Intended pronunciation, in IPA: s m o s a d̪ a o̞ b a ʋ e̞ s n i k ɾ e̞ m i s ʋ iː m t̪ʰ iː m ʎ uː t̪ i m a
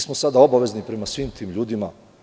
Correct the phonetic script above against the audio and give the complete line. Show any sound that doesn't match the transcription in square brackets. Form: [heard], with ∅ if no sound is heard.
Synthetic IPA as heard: s m o s a d̪ a o̞ b a ʋ e̞ [z] n i [p] ɾ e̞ m [a] s ʋ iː m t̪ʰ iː m ʎ uː [d̪] i m a